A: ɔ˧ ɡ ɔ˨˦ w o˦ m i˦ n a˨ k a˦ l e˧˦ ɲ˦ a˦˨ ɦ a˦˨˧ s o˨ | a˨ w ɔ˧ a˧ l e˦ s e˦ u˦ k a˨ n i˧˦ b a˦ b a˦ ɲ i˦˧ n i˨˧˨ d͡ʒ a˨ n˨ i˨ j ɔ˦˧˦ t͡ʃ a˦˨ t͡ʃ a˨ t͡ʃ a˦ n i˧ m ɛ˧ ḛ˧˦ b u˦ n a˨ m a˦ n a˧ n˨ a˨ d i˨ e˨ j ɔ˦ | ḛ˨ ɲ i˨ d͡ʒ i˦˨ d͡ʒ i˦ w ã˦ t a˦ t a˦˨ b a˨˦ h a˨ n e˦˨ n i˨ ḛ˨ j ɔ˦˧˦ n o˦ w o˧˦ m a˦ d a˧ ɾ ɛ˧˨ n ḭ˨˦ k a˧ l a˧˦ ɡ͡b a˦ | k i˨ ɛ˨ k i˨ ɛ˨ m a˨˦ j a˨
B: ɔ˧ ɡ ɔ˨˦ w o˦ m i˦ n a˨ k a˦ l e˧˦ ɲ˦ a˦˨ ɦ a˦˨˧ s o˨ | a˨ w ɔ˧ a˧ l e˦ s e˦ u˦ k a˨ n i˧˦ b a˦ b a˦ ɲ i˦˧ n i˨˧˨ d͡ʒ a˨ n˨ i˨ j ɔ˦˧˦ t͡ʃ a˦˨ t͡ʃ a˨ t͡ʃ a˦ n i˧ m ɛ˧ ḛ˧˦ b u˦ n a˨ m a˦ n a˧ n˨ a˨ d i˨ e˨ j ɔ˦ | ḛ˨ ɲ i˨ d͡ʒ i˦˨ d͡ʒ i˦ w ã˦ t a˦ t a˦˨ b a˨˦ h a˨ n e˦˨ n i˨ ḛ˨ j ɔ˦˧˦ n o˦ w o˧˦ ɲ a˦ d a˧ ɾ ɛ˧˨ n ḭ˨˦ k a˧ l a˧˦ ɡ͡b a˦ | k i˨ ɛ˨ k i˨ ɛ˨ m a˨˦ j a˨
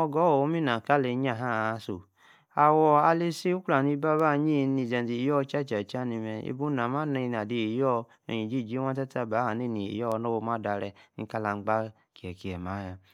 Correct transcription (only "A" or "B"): A